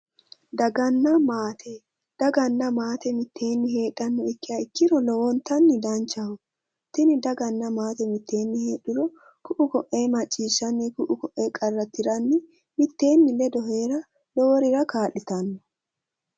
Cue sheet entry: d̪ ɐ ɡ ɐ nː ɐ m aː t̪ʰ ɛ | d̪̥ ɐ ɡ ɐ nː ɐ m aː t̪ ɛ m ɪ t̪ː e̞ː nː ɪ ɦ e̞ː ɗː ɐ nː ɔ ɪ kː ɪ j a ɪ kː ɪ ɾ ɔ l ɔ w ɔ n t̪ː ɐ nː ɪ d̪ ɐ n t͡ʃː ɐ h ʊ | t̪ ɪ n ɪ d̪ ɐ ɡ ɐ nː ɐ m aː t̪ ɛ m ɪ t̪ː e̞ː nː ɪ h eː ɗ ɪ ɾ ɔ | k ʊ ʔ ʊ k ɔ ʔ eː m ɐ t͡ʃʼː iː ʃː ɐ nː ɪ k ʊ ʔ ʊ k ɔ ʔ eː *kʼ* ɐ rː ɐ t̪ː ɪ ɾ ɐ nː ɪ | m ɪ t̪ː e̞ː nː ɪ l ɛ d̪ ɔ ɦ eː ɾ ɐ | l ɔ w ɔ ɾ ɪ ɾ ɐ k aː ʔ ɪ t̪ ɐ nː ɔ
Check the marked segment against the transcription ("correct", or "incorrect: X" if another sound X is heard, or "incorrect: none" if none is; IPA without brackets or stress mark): correct